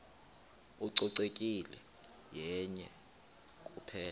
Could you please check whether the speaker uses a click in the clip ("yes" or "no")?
yes